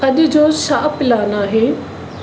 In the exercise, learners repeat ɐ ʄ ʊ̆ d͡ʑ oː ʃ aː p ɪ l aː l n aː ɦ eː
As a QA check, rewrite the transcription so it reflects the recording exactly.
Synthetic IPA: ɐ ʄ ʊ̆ d͡ʑ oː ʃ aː p ɪ l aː n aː ɦ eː